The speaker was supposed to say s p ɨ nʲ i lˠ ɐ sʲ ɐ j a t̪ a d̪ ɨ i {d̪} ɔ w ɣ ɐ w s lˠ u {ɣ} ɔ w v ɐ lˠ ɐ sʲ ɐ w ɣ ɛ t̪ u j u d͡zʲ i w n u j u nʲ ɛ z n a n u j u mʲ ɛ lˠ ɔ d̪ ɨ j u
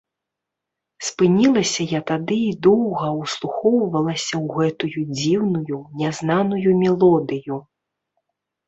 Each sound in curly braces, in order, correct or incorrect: correct, incorrect

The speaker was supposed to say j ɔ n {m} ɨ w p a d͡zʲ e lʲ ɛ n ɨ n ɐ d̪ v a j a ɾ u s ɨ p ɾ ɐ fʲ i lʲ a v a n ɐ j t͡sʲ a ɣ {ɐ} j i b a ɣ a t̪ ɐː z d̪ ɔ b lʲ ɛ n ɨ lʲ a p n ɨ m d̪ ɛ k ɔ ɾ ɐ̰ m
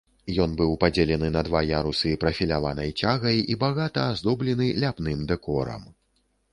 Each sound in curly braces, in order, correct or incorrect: incorrect, correct

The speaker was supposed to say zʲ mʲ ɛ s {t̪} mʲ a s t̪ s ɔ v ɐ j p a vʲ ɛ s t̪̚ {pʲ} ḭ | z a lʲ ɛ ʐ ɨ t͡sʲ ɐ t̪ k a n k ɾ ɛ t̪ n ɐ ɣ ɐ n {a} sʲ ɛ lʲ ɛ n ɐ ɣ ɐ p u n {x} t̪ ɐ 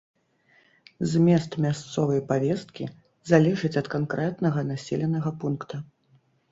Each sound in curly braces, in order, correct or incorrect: correct, incorrect, correct, incorrect

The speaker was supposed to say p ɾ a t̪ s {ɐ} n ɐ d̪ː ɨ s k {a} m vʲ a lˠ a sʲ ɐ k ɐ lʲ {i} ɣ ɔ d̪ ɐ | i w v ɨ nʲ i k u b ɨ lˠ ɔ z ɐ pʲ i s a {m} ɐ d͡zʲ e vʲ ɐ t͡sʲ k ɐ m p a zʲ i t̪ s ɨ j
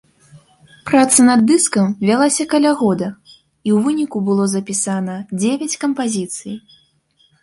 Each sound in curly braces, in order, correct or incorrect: correct, incorrect, incorrect, incorrect

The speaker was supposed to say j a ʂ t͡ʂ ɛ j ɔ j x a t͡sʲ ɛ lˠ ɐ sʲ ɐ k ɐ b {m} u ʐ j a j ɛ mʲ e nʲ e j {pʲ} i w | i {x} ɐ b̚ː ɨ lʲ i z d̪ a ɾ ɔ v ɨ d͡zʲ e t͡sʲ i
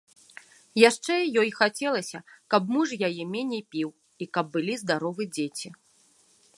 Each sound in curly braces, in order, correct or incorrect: correct, correct, incorrect

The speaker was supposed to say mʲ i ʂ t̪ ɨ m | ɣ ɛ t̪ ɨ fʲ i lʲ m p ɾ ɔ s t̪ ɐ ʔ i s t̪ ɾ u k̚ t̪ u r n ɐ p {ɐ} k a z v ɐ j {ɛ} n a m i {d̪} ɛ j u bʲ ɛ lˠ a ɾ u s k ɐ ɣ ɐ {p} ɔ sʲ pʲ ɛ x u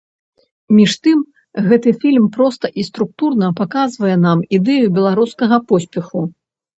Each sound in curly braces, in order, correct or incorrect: incorrect, correct, correct, correct

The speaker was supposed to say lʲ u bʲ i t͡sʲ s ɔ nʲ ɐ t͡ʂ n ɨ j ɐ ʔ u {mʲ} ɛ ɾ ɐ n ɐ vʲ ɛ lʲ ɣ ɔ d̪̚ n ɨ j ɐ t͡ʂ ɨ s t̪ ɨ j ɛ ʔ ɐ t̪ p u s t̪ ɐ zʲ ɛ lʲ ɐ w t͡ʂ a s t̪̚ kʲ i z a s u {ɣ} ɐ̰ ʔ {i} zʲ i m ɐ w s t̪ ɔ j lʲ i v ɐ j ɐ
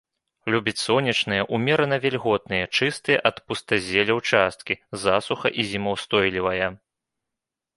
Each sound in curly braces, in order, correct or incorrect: correct, incorrect, correct

